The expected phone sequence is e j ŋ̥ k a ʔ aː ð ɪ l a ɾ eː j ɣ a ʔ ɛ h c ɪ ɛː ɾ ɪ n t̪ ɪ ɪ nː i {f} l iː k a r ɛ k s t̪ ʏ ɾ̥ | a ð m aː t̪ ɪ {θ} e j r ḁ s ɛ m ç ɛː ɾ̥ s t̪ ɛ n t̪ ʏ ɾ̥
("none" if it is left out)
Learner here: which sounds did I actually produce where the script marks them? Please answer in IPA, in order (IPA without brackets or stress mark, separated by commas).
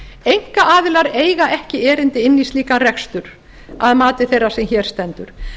s, θ